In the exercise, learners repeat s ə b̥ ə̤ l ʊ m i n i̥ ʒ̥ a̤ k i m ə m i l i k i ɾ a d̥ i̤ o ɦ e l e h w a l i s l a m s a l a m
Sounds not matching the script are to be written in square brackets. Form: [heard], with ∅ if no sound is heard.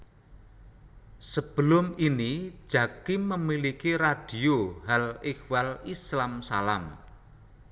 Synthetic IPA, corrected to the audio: s ə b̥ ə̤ l ʊ m i n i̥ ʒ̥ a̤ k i m ə m i l i k i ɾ a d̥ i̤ o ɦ [a] l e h w a l i s l a m s a l a m